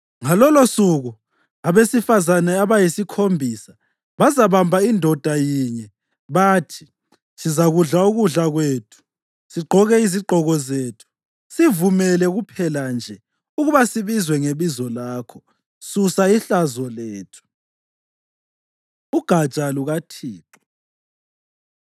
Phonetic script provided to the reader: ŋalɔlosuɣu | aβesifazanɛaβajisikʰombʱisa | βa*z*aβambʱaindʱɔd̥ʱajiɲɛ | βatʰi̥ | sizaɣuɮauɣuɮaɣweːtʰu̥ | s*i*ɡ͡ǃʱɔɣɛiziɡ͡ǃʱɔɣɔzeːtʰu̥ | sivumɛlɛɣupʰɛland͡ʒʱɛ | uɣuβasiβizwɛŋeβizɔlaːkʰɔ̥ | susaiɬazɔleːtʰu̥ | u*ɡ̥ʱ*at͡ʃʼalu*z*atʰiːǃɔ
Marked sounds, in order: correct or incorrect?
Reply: correct, correct, correct, incorrect: ɣ

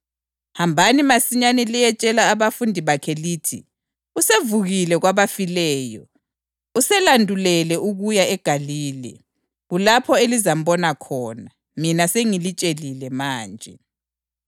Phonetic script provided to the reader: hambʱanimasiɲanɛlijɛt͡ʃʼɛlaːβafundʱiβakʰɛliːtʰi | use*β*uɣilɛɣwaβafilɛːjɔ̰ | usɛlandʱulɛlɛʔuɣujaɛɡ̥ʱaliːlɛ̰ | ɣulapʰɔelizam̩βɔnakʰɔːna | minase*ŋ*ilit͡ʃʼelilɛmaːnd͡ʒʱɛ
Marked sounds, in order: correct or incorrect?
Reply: incorrect: v, correct

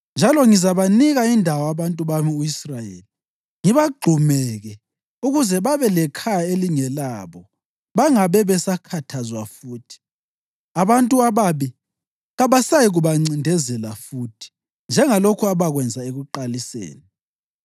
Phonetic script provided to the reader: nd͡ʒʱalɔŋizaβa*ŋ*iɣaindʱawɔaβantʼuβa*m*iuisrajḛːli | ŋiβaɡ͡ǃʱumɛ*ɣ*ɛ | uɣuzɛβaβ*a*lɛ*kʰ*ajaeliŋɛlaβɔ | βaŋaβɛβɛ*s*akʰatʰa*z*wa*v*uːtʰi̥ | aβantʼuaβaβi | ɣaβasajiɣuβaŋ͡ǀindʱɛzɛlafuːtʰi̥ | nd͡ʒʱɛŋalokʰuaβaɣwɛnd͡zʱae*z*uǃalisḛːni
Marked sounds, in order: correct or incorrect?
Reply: incorrect: n, correct, correct, incorrect: ɛ, correct, correct, correct, incorrect: f, incorrect: ɣ

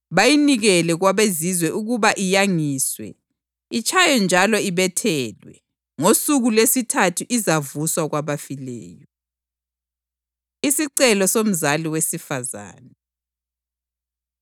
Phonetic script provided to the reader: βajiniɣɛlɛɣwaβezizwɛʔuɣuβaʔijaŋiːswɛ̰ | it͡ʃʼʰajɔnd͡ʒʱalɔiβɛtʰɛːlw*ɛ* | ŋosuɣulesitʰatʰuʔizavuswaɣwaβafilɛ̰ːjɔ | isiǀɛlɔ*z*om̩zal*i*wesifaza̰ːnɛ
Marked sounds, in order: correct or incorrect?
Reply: correct, incorrect: s, correct

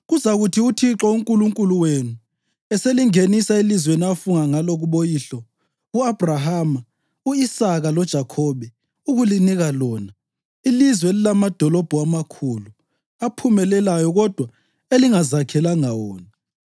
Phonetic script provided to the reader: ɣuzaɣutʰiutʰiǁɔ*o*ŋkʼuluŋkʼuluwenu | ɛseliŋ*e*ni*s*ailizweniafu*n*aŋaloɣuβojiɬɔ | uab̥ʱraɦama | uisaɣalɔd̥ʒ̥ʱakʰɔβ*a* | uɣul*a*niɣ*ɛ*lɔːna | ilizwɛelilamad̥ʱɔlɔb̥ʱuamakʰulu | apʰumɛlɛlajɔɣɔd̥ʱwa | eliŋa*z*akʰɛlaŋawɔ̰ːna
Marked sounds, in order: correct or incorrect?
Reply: incorrect: u, correct, correct, incorrect: ŋ, incorrect: ɛ, incorrect: i, incorrect: a, correct

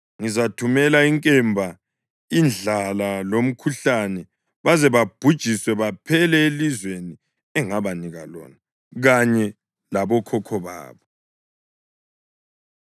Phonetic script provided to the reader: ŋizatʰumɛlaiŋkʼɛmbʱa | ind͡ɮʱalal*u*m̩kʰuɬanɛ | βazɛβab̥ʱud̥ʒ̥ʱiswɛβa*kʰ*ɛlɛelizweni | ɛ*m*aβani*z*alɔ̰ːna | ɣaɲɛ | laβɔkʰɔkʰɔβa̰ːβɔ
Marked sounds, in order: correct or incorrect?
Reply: incorrect: o, incorrect: pʰ, incorrect: ŋ, incorrect: ɣ

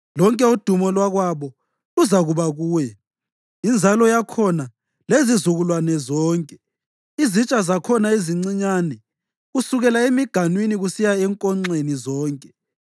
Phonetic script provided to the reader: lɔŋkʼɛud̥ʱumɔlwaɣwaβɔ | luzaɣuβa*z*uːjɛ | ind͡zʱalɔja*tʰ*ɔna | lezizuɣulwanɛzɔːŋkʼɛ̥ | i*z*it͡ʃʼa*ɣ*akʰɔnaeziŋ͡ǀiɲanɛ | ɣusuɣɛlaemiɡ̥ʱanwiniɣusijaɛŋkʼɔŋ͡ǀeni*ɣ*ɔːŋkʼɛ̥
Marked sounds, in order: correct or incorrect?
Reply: incorrect: ɣ, incorrect: kʰ, correct, incorrect: z, incorrect: z

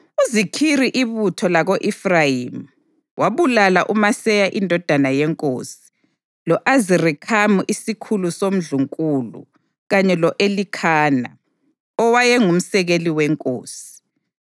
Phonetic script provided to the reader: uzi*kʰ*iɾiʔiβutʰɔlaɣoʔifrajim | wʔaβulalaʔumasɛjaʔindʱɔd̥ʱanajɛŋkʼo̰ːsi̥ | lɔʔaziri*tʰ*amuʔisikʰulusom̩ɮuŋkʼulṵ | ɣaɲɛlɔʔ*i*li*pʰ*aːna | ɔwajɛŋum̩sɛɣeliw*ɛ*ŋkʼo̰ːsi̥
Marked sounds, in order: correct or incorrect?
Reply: correct, incorrect: kʰ, incorrect: e, incorrect: kʰ, correct

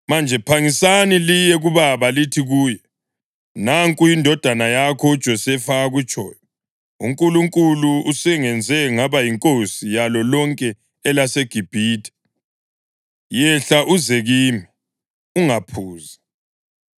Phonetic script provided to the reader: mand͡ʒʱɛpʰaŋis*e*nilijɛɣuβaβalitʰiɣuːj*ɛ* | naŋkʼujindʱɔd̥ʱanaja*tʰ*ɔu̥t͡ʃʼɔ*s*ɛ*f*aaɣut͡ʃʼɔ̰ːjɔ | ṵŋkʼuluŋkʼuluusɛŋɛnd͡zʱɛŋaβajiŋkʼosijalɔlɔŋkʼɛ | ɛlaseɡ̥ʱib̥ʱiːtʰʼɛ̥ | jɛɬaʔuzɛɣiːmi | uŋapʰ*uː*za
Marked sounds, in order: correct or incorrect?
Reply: incorrect: a, correct, incorrect: kʰ, correct, correct, correct

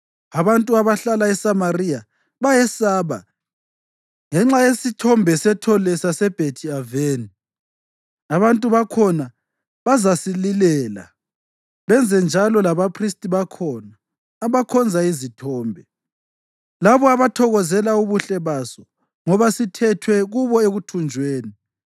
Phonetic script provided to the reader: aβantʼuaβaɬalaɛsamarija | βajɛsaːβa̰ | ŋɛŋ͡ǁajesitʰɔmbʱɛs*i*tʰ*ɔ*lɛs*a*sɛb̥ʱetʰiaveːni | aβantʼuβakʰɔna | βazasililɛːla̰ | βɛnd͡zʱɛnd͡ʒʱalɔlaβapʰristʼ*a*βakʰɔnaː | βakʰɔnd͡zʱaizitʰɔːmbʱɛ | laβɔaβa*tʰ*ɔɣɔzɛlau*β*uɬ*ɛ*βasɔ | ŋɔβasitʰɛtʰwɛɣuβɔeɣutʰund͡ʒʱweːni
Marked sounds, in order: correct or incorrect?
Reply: incorrect: ɛ, correct, correct, incorrect: i, correct, correct, correct

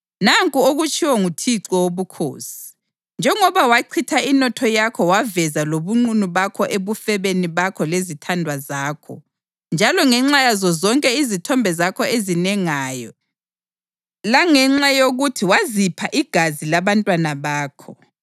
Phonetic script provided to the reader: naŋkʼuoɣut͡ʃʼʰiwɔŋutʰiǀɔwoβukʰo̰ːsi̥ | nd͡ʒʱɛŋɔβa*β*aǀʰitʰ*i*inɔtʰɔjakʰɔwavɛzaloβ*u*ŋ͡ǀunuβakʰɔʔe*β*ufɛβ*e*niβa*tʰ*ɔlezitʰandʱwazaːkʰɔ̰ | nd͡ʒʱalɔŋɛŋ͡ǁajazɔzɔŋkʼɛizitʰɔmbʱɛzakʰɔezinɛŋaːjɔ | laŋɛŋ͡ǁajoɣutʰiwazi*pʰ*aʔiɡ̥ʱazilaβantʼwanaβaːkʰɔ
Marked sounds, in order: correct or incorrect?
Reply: incorrect: w, incorrect: a, correct, correct, correct, incorrect: kʰ, correct

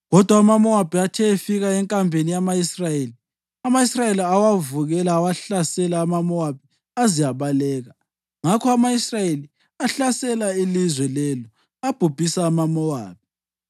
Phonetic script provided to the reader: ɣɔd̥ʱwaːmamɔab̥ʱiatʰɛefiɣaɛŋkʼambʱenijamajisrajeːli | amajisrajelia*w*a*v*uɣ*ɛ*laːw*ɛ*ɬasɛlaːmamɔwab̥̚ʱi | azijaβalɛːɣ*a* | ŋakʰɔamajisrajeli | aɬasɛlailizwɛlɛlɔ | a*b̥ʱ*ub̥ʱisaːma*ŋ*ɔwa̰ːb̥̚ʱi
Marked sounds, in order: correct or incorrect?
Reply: correct, correct, correct, incorrect: a, correct, correct, incorrect: m

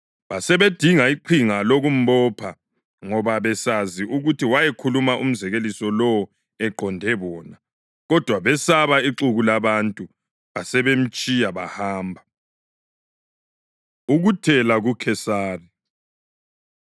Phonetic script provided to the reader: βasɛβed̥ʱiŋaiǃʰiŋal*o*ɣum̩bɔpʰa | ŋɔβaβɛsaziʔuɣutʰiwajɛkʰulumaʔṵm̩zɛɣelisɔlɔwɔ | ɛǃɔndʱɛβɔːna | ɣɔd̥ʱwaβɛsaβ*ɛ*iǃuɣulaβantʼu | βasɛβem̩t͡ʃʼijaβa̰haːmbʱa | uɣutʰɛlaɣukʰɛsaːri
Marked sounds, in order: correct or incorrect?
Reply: correct, incorrect: a

